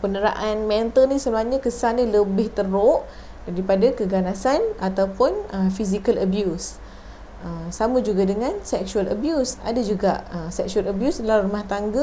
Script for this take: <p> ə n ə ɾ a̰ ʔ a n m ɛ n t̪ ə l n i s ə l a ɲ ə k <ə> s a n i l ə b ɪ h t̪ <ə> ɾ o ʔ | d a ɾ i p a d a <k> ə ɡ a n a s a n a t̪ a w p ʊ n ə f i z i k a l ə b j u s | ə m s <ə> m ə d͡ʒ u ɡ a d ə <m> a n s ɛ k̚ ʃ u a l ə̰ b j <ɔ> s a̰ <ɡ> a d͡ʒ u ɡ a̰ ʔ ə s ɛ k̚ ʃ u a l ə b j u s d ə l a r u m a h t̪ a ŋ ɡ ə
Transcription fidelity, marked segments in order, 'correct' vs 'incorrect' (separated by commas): correct, correct, correct, correct, incorrect, incorrect, incorrect, incorrect